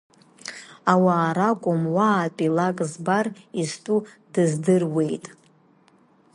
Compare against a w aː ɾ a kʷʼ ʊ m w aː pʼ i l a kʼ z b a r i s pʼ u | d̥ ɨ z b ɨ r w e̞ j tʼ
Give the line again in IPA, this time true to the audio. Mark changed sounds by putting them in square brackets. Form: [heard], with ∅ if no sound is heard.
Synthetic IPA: a w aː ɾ a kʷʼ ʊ m w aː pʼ i l a kʼ z b a r i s [tʼ] u | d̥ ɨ z [d] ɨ r w e̞ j tʼ